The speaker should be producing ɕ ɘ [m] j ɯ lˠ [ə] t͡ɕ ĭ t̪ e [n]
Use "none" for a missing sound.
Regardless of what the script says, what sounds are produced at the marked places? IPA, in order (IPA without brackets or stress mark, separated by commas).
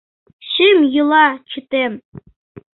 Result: m, ɑ, m